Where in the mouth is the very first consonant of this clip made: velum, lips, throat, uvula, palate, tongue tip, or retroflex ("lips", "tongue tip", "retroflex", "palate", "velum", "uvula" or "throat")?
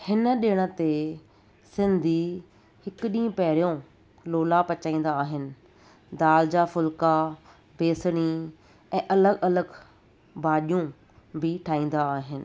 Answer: throat